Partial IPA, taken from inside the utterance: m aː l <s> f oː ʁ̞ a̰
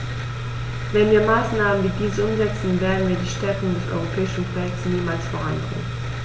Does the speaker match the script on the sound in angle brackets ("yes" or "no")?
yes